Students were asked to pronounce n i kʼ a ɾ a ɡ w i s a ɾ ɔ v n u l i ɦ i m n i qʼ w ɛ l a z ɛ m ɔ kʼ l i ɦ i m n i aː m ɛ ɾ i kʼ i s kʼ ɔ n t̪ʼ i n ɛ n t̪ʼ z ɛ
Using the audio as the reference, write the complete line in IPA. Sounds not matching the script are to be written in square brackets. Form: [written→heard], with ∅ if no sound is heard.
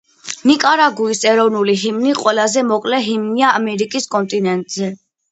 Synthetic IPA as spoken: n i kʼ a ɾ a ɡ [w→u] i s [a→ɛ] ɾ ɔ v n u l i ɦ i m n i qʼ w ɛ l a z ɛ m ɔ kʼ l [i→ɛ] ɦ i m n i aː m ɛ ɾ i kʼ i s kʼ ɔ n t̪ʼ i n ɛ n t̪ʼ z ɛ